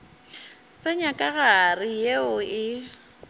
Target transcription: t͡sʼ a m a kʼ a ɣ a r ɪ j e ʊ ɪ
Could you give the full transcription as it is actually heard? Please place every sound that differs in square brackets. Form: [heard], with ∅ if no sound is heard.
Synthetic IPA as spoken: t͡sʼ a [ɲ] a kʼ a ɣ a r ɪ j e ʊ ɪ

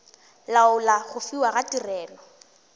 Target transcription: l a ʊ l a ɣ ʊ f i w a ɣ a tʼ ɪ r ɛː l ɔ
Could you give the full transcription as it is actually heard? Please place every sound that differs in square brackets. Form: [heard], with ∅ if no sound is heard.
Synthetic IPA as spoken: l a ʊ l a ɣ ʊ f i w a ɣ a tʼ [i] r ɛː l ɔ

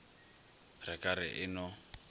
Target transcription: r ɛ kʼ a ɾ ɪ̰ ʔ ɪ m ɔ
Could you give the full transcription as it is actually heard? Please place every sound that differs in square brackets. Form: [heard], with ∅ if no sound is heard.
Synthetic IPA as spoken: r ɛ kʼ a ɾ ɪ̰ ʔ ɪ [n] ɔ

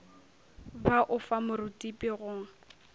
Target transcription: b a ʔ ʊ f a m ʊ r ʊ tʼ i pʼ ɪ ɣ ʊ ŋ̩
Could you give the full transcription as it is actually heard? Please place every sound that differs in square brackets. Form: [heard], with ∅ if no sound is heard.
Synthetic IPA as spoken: b a ʔ ʊ f a m ʊ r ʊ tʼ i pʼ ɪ ɣ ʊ ŋ̩

